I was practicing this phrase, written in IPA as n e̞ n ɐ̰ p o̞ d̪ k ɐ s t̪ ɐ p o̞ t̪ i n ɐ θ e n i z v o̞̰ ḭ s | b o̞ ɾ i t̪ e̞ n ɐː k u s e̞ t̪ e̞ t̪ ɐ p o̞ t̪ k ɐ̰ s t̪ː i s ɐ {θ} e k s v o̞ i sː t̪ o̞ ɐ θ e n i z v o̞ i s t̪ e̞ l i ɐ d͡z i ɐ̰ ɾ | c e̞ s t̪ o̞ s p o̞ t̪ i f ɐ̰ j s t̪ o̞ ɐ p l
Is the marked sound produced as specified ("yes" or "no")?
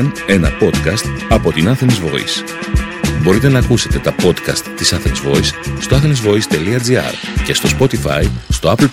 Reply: yes